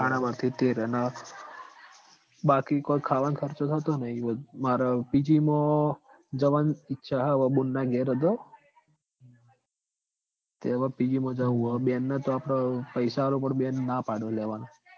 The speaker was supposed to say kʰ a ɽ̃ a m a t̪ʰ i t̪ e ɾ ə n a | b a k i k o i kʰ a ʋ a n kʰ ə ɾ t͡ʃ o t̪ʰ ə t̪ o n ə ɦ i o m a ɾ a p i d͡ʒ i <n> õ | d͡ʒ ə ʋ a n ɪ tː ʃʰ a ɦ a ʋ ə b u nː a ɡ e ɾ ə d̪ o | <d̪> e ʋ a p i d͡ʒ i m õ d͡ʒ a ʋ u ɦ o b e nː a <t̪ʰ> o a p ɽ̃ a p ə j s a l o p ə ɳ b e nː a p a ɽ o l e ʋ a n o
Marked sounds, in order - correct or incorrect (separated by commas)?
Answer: incorrect, incorrect, incorrect